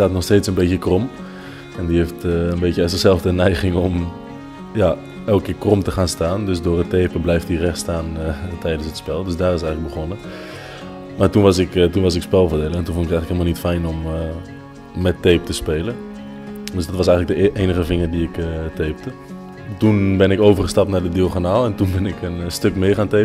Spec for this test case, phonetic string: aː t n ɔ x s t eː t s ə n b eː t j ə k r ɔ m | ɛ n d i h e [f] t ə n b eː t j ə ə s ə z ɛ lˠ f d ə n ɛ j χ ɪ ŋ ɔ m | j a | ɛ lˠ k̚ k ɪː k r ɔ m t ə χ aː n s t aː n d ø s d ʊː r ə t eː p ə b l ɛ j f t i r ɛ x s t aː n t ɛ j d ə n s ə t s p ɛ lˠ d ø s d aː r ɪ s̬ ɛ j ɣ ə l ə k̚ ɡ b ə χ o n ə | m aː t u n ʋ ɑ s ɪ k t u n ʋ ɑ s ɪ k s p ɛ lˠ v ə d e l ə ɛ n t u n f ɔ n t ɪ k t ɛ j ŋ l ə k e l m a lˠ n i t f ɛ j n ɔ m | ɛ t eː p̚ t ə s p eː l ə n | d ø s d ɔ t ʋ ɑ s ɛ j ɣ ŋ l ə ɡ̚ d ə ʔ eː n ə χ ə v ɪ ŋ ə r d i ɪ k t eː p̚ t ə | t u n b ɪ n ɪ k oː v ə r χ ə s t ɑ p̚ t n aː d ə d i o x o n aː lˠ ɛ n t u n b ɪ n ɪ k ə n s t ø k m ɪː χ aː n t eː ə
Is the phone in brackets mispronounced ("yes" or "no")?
no